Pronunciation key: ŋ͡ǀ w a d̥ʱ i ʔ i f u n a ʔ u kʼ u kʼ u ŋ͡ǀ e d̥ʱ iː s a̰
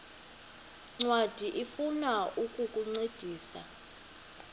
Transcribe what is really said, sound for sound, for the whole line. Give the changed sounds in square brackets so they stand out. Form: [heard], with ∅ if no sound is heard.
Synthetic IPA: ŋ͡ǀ w a d̥ʱ i ʔ i f u n a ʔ u kʼ u kʼ u ŋ͡ǀ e d̥ʱ iː s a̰